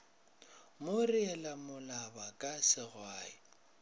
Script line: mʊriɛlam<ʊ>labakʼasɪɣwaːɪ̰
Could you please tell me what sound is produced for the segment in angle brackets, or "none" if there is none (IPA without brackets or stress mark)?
ʊ